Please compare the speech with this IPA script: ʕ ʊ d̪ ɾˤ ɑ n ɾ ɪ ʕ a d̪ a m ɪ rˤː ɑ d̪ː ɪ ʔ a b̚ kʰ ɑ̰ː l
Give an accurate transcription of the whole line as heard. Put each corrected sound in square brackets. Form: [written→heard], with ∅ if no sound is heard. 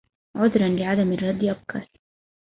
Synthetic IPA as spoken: ʕ ʊ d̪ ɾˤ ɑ n [ɾ→l] ɪ ʕ a d̪ a m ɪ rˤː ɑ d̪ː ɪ ʔ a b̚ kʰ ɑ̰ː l